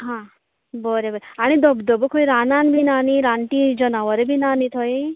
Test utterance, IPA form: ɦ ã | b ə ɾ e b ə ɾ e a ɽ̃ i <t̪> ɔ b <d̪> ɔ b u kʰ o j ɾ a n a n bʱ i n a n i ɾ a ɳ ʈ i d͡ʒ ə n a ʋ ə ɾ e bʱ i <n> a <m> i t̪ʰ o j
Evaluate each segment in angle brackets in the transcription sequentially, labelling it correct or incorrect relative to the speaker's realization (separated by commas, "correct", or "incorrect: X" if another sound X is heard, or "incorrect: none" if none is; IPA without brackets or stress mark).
incorrect: d̪, correct, correct, incorrect: n